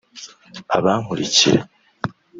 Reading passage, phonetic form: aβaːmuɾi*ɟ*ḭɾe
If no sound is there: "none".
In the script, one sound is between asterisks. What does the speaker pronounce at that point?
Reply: c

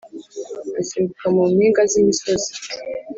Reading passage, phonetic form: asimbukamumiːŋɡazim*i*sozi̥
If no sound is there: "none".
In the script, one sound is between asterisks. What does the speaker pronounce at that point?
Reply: i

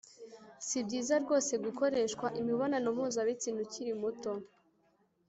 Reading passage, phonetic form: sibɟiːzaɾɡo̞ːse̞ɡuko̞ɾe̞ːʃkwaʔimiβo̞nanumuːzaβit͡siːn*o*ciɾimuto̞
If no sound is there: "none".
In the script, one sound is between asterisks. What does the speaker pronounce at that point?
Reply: u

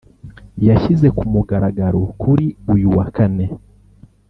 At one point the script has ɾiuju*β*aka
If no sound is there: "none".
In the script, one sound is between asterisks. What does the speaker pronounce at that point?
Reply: w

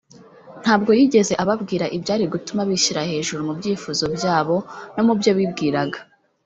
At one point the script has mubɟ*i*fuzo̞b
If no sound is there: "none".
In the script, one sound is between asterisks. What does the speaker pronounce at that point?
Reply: iː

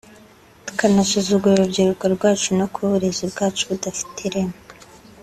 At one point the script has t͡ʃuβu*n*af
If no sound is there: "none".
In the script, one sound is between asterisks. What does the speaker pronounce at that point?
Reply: d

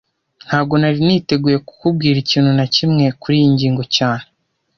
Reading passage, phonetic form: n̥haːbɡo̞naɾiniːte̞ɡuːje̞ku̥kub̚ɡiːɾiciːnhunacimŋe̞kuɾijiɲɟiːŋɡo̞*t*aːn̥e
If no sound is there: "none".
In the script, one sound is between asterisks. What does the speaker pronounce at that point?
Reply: c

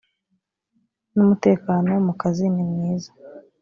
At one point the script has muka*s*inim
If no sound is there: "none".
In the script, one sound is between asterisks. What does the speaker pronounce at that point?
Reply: z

